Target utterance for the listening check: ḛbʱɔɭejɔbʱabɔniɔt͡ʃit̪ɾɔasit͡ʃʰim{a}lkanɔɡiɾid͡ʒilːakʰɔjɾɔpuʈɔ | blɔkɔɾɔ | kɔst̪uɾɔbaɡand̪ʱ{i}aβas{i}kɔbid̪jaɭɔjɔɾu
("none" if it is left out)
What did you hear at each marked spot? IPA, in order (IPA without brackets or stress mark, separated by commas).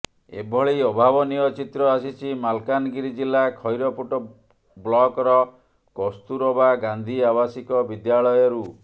a, i, i